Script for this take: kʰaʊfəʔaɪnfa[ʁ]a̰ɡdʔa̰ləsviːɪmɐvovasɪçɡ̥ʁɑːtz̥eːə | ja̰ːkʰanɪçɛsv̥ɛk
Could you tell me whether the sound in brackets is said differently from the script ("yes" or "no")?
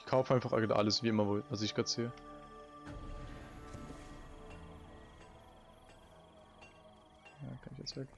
yes